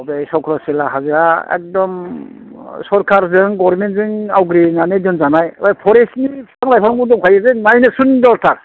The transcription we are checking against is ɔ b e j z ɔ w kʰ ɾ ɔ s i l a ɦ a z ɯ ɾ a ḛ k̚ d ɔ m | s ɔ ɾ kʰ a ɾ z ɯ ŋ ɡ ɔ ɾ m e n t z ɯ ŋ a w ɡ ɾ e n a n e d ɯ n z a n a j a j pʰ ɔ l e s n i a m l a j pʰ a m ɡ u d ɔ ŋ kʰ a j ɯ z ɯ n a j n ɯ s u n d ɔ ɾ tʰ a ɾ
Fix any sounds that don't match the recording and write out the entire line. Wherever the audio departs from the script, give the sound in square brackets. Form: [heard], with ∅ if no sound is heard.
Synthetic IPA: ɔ b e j [s] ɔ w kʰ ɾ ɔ s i l a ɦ a z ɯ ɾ a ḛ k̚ d ɔ m | s ɔ ɾ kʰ a ɾ z ɯ ŋ ɡ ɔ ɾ m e n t z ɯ ŋ a w ɡ ɾ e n a n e d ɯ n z a n a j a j pʰ ɔ [ɾ] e s n i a [ŋ] l a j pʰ a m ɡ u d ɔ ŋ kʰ a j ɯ z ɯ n a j n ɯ s u n d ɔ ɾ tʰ a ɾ

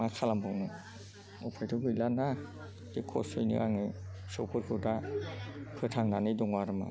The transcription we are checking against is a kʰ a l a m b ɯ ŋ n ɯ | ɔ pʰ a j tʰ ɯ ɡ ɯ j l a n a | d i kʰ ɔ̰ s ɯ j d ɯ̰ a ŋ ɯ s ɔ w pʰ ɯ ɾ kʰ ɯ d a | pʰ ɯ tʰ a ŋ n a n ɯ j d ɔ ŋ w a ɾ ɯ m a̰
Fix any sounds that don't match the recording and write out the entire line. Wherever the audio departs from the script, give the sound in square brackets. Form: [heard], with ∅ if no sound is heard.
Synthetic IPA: a kʰ a l a m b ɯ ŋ n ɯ | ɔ pʰ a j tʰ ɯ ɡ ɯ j l a n a | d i kʰ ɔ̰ s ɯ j [n] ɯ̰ a ŋ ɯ s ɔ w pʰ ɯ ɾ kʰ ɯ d a | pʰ ɯ tʰ a ŋ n a n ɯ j d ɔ ŋ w a ɾ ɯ m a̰

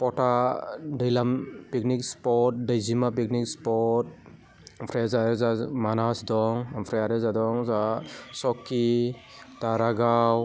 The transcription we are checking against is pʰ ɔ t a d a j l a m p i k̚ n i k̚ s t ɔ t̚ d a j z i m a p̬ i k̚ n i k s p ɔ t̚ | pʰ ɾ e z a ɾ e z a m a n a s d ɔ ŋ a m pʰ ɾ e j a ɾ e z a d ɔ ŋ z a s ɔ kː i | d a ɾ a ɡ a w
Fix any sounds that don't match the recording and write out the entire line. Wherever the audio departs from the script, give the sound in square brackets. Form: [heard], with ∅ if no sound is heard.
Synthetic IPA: [p] ɔ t a d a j l a m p i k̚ n i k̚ s [p] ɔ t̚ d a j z i m a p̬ i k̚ n i k s p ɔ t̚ | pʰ ɾ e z a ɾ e z a m a n a s d ɔ ŋ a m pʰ ɾ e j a ɾ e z a d ɔ ŋ z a s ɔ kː i | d a ɾ a ɡ a w

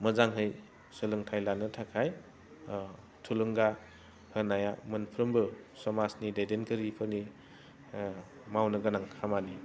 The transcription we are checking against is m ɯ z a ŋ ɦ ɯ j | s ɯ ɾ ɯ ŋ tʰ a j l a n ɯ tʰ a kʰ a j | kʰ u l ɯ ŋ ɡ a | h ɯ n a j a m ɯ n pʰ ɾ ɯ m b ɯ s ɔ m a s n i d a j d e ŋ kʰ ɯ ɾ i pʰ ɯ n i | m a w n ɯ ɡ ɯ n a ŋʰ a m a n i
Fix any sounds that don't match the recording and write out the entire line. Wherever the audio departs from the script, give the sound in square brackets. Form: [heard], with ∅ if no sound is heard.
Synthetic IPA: m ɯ z a ŋ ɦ ɯ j | s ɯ [l] ɯ ŋ tʰ a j l a n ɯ tʰ a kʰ a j | [tʰ] u l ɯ ŋ ɡ a | h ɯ n a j a m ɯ n pʰ ɾ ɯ m b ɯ s ɔ m a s n i d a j d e [n] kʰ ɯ ɾ i pʰ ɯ n i | m a w n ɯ ɡ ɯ n a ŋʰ a m a n i

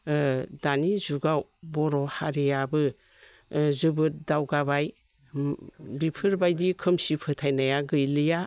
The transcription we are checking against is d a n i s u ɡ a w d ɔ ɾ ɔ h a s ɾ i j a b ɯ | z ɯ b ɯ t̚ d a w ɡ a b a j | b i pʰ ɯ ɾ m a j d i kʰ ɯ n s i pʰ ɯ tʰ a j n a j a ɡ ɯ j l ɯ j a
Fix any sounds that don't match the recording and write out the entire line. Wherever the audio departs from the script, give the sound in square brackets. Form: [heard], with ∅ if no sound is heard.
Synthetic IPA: d a n i [z] u ɡ a w [b] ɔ ɾ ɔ h a [∅] ɾ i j a b ɯ | z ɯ b ɯ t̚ d a w ɡ a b a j | b i pʰ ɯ ɾ [b] a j d i kʰ ɯ [m] s i pʰ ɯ tʰ a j n a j a ɡ ɯ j l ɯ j a

